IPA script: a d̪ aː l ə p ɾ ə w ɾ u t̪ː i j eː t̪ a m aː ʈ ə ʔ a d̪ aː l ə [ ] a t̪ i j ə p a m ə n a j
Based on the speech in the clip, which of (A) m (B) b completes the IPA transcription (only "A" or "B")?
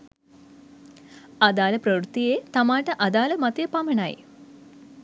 A